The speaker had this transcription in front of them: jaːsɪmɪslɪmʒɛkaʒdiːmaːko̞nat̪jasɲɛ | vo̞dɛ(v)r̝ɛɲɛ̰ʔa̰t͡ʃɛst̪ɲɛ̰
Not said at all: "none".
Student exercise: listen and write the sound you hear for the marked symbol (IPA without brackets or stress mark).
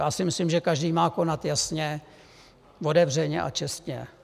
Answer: v